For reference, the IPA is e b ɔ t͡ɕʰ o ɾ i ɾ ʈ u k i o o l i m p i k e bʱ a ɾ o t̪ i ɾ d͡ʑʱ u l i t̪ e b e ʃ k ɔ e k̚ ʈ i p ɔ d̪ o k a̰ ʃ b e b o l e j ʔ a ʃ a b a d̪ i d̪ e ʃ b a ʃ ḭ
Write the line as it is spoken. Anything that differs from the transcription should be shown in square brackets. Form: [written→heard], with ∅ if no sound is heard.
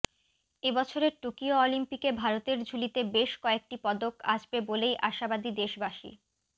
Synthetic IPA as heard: e b ɔ t͡ɕʰ o ɾ [i→e] ɾ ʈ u k i o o l i m p i k e bʱ a ɾ o t̪ [i→e] ɾ d͡ʑʱ u l i t̪ e b e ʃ k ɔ e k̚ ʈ i p ɔ d̪ o k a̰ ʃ b e b o l e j ʔ a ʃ a b a d̪ i d̪ e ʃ b a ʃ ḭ